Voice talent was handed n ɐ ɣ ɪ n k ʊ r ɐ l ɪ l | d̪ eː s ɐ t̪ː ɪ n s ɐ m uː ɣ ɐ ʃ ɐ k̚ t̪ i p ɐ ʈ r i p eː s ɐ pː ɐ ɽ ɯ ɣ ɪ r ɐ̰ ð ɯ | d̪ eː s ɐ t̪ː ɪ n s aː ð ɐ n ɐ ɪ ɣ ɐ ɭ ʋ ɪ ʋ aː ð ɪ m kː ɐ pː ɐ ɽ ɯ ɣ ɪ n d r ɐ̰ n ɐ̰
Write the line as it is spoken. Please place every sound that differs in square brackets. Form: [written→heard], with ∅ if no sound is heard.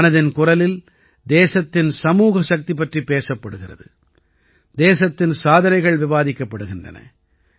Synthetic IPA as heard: n ɐ [ɣ→ð] ɪ n k ʊ r ɐ l ɪ l | d̪ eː s ɐ t̪ː ɪ n s ɐ m uː ɣ ɐ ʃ ɐ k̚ t̪ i p ɐ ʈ r i p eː s ɐ pː ɐ ɽ ɯ ɣ ɪ r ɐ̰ ð ɯ | d̪ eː s ɐ t̪ː ɪ n s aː ð ɐ n ɐ ɪ ɣ ɐ ɭ ʋ ɪ ʋ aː ð ɪ [m→∅] kː ɐ pː ɐ ɽ ɯ ɣ ɪ n d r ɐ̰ n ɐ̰

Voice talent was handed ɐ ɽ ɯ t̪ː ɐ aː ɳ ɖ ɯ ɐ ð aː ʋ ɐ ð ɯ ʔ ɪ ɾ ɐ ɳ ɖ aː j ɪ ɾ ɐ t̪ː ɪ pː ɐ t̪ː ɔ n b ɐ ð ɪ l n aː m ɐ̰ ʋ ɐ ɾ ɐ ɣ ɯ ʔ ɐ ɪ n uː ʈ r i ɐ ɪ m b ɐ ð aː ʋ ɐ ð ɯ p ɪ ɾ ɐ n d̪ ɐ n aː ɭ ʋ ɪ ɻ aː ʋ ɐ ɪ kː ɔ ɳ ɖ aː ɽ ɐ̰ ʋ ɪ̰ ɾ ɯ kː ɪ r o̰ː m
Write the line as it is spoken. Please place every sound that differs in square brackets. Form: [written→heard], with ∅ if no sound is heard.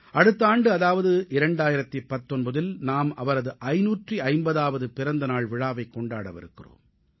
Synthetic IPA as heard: ɐ ɽ ɯ t̪ː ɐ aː ɳ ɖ ɯ ɐ ð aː ʋ ɐ ð ɯ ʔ ɪ ɾ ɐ ɳ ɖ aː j ɪ ɾ ɐ t̪ː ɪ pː ɐ t̪ː ɔ n b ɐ ð ɪ l n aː m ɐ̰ ʋ ɐ ɾ ɐ [ɣ→ð] ɯ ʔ ɐ ɪ n uː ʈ r i ɐ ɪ m b ɐ ð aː ʋ ɐ ð ɯ p ɪ ɾ ɐ n d̪ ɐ n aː ɭ ʋ ɪ ɻ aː ʋ ɐ ɪ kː ɔ ɳ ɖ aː ɽ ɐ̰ ʋ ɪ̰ ɾ ɯ kː ɪ r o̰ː m

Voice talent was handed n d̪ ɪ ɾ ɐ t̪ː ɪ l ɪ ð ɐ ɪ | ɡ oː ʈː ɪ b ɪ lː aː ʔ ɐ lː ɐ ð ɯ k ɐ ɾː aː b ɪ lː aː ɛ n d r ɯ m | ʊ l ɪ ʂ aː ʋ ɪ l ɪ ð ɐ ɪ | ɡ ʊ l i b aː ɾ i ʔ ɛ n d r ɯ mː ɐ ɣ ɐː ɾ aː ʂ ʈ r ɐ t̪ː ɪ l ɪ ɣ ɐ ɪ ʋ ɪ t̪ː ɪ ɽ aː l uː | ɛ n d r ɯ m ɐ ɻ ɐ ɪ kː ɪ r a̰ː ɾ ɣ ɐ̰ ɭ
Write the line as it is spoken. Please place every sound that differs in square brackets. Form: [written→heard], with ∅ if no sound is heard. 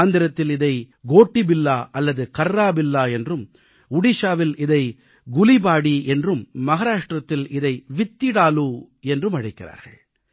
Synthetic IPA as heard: n d̪ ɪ ɾ ɐ t̪ː ɪ l ɪ ð ɐ ɪ | ɡ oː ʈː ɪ b ɪ lː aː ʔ ɐ lː ɐ ð ɯ k ɐ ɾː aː b ɪ lː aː ɛ n d r ɯ m | ʊ [l→ɽ] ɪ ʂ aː ʋ ɪ l ɪ ð ɐ ɪ | ɡ ʊ l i b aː [ɾ→ɽ] i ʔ ɛ n d r ɯ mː ɐ ɣ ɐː ɾ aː ʂ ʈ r ɐ t̪ː ɪ l ɪ [ɣ→ð] ɐ ɪ ʋ ɪ t̪ː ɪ ɽ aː l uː | ɛ n d r ɯ m ɐ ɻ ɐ ɪ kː ɪ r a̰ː ɾ ɣ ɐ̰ ɭ

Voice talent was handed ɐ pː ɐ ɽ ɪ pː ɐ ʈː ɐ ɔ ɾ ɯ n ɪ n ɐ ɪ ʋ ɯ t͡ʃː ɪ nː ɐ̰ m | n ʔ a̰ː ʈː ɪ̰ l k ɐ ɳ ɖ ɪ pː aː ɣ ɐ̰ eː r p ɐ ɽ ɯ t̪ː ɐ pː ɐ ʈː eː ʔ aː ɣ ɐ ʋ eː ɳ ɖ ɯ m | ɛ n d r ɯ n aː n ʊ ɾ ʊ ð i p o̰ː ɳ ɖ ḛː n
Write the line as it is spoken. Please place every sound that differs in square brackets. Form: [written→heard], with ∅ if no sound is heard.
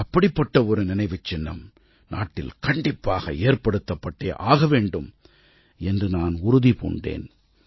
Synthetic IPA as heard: ɐ pː ɐ ɽ ɪ pː ɐ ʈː ɐ ɔ ɾ ɯ n ɪ n ɐ ɪ ʋ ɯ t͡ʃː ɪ nː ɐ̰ m | n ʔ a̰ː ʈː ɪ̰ l k ɐ ɳ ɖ ɪ pː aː ɣ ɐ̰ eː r p ɐ ɽ ɯ t̪ː ɐ pː ɐ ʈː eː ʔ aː ɣ ɐ ʋ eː ɳ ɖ ɯ m | ɛ n d r ɯ n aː n ʊ ɾ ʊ ð i p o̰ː ɳ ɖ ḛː n

